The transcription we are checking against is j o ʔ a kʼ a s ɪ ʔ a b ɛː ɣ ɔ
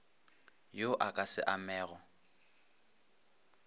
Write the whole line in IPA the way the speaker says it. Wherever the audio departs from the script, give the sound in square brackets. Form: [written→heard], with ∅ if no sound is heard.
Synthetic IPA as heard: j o ʔ a kʼ a s ɪ ʔ a [b→m] ɛː ɣ ɔ